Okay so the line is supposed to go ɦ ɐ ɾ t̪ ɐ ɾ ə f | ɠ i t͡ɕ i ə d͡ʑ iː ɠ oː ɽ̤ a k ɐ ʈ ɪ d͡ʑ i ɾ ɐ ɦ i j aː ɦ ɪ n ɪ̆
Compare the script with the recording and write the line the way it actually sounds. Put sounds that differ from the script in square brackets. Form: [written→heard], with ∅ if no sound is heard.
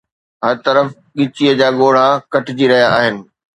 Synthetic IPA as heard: ɦ ɐ ɾ t̪ ɐ ɾ ə f | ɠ [i→ɪ] t͡ɕ i ə d͡ʑ [iː→aː] ɠ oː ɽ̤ a k ɐ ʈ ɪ d͡ʑ i ɾ ɐ ɦ i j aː ɦ ɪ n ɪ̆